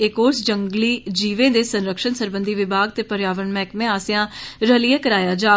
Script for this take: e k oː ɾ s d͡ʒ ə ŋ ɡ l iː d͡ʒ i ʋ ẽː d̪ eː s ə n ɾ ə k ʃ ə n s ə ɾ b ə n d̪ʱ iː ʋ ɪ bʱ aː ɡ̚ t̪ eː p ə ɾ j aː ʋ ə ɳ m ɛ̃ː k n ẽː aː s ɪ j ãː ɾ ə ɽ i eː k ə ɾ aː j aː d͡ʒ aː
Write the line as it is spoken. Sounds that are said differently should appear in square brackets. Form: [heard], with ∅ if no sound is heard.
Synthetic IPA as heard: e k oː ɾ s d͡ʒ ə ŋ ɡ l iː d͡ʒ [iː] ʋ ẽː d̪ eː s ə n ɾ ə k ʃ ə n s ə ɾ b ə n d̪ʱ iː ʋ ɪ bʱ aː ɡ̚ t̪ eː p ə ɾ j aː ʋ ə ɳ m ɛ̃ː k [m] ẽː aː s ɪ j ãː ɾ ə [l] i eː k ə ɾ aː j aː d͡ʒ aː